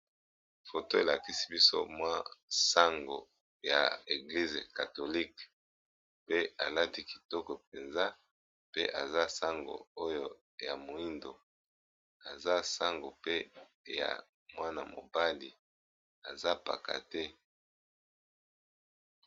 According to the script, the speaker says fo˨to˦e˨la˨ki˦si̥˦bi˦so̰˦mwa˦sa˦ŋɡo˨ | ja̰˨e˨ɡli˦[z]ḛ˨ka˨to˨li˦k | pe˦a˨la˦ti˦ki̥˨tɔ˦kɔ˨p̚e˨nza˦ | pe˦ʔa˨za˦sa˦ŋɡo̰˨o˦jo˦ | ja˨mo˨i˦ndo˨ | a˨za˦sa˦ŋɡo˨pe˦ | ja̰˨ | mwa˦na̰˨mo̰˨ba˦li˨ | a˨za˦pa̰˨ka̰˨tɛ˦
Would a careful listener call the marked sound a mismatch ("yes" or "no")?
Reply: no